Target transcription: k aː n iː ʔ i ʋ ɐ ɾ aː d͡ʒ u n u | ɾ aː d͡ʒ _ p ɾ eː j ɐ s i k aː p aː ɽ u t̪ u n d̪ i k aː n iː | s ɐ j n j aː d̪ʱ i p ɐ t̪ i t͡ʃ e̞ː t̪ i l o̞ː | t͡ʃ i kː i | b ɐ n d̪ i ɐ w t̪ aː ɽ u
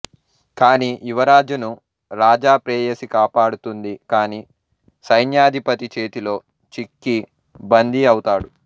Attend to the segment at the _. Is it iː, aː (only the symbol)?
aː